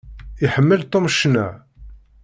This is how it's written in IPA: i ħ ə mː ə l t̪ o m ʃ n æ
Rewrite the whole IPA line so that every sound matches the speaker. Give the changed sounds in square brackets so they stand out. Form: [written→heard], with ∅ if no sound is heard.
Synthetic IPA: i ħ ə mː ə l t̪ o m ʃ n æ